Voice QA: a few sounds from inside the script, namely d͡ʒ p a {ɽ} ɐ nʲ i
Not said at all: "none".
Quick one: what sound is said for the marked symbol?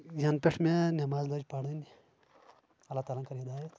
ɽ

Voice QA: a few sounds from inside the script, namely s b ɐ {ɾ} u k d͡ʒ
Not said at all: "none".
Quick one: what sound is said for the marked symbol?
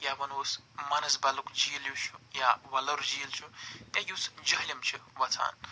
l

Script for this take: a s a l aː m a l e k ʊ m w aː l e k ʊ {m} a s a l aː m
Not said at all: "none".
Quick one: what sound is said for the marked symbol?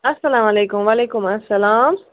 m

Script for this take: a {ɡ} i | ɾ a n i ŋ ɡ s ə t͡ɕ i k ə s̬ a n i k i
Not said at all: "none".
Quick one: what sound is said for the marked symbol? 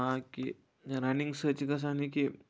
k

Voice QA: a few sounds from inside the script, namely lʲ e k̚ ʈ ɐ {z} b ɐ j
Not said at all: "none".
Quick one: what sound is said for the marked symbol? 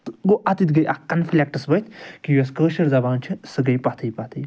s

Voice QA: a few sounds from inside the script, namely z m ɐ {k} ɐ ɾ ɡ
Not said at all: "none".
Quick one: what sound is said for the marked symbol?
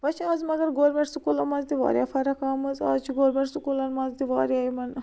ɡ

